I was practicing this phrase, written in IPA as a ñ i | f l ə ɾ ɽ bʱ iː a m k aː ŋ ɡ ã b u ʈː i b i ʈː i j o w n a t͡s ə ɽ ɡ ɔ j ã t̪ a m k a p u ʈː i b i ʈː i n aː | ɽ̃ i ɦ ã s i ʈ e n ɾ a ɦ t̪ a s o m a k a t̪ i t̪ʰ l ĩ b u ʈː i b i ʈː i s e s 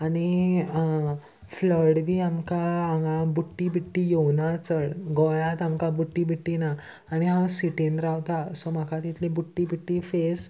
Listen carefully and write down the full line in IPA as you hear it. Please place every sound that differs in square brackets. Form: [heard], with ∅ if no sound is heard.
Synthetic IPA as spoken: a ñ i | f l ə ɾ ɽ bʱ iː a m k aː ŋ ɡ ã b u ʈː i b i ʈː i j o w n a t͡s ə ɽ ɡ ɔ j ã t̪ a m k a [b] u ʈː i b i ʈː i n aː | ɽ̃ i ɦ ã s i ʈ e n ɾ a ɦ t̪ a s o m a k a t̪ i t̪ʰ l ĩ b u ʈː i b i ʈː i [f] e s